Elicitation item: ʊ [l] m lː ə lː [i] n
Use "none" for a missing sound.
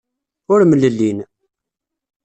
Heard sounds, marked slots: ɾ, i

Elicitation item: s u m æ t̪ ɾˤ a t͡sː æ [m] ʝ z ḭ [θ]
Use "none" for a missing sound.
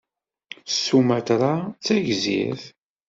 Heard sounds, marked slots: none, θ

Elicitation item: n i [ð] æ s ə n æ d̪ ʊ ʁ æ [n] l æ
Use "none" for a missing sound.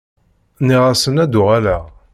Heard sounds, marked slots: ʁ, none

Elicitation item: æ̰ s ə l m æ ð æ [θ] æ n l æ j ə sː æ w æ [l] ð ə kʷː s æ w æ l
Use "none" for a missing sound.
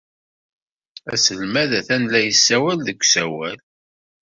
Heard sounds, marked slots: θ, l

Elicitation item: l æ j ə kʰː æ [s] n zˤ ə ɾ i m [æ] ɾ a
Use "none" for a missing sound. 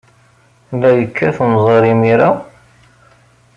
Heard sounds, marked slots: θ, i

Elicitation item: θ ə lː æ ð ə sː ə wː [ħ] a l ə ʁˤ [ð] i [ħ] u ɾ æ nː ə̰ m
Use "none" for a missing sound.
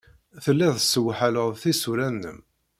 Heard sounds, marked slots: ħ, θ, s

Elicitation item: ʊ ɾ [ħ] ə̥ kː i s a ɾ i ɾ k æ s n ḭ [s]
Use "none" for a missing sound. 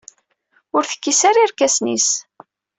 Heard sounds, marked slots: θ, s

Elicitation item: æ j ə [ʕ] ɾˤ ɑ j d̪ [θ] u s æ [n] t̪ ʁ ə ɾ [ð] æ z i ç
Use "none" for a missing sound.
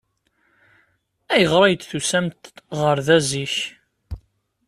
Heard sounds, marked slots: ʁ, θ, m, ð

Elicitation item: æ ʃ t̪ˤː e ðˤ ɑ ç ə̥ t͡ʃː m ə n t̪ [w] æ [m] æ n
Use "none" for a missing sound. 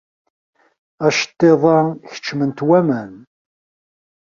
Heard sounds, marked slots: w, m

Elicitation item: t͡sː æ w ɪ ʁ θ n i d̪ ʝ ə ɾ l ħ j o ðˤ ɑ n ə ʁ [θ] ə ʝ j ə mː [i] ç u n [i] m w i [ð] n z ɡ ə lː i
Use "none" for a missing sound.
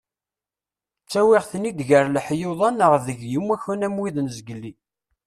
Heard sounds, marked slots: ð, æ, æ, ð

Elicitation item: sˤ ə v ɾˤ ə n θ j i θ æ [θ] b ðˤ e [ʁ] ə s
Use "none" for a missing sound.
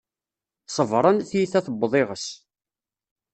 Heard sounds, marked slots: θ, ʁ

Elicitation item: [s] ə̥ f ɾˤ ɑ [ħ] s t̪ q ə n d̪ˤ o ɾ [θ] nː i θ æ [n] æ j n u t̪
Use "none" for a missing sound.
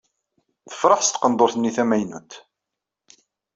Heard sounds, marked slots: θ, ħ, θ, m

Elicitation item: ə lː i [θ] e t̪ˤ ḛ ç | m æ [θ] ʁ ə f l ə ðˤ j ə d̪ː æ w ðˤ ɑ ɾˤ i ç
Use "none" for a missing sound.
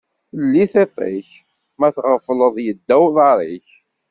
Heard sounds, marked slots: θ, θ

